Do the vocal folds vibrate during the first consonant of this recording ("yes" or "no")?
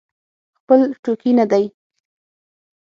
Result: no